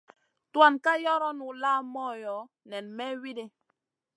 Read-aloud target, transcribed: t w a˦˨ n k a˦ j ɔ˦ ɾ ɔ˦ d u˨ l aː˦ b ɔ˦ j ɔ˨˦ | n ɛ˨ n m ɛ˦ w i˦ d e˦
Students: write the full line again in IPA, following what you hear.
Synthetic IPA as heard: t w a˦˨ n k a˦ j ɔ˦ ɾ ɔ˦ n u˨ l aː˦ m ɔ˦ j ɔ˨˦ | n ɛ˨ n m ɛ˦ w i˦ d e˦

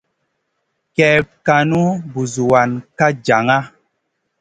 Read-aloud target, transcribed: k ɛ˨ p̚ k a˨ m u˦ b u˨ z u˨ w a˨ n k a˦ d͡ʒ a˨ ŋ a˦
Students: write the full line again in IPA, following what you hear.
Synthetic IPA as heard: k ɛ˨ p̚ k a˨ n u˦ b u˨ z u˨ w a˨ n k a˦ d͡ʒ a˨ ŋ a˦

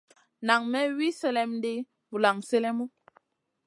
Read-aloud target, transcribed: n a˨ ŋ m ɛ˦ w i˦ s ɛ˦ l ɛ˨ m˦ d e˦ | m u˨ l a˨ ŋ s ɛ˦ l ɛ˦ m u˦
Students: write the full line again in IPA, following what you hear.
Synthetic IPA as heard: n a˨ ŋ m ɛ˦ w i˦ s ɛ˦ l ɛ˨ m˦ d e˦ | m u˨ l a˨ ŋ s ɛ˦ l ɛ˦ m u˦

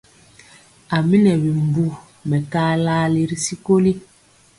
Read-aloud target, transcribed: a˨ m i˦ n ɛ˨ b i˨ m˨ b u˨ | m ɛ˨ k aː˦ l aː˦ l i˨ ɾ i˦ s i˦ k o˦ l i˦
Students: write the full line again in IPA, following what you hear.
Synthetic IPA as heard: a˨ m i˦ n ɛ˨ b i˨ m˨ b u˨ | m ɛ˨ k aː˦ l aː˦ l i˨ ɾ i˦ s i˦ k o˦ l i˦

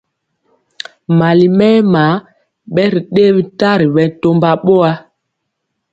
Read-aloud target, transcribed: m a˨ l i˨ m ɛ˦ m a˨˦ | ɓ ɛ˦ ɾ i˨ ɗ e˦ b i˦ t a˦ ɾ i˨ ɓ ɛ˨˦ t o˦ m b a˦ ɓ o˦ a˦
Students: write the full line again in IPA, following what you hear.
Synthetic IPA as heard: m a˨ l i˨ m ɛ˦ m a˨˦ | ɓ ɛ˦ ɾ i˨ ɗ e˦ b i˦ t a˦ ɾ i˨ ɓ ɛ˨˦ t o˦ m b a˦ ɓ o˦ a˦

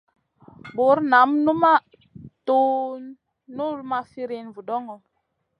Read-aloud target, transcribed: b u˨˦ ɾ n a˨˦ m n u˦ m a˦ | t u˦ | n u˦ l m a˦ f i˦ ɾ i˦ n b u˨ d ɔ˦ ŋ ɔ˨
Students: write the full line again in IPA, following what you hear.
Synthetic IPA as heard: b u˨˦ ɾ n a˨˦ m n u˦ m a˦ | t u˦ | n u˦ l m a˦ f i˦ ɾ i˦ n v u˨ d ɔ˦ ŋ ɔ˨

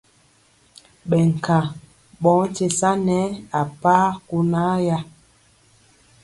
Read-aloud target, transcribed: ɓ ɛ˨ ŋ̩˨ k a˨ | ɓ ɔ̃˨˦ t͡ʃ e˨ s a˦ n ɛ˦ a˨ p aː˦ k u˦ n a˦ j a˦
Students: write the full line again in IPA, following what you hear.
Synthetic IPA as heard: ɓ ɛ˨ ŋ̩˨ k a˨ | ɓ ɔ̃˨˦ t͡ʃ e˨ s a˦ n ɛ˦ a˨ p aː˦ k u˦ n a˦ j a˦

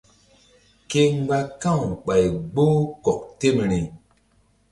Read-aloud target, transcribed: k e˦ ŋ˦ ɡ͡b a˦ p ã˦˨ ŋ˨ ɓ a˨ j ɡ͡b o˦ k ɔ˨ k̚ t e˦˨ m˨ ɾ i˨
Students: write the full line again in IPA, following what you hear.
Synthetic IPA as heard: k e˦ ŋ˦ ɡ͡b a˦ k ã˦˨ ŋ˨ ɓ a˨ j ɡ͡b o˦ k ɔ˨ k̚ t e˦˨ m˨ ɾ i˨

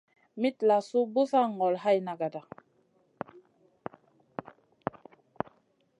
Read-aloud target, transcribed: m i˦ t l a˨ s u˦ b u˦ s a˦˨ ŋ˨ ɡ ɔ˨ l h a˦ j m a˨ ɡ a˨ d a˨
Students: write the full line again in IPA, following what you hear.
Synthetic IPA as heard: m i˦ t l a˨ s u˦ b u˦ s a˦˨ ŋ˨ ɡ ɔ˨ l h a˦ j n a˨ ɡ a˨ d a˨

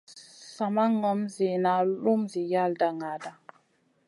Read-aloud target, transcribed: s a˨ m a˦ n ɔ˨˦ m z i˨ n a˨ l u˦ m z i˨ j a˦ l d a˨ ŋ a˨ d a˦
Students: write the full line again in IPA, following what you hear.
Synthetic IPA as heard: s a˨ m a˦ ŋ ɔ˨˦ m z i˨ n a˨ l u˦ m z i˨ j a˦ l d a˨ ŋ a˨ d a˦

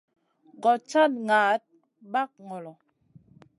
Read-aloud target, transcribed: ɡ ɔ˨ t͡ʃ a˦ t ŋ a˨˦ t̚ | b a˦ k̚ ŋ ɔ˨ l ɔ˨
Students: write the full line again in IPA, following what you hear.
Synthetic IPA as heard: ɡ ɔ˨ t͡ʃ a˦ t ŋ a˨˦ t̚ | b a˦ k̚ ŋ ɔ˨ l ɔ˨

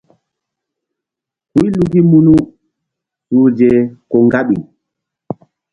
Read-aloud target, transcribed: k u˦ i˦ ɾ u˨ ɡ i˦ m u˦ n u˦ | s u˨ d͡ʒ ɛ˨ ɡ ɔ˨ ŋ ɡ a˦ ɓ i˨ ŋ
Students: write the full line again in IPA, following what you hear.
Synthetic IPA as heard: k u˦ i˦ l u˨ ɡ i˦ m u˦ n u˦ | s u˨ d͡ʒ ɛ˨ k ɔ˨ ŋ ɡ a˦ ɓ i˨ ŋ

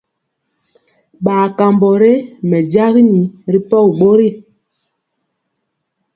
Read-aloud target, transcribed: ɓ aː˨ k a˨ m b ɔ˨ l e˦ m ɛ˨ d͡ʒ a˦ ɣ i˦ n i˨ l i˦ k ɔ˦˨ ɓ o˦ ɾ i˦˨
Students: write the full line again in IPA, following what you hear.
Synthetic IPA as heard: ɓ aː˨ k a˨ m b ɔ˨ ɾ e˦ m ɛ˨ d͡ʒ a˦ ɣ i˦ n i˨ ɾ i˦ p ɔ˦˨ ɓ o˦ ɾ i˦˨

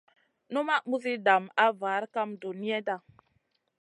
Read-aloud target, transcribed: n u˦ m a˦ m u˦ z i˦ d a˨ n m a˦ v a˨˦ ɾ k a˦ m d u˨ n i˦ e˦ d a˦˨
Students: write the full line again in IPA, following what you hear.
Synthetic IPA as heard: n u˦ m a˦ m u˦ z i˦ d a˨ m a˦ v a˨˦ ɾ k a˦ m d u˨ n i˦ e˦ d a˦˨

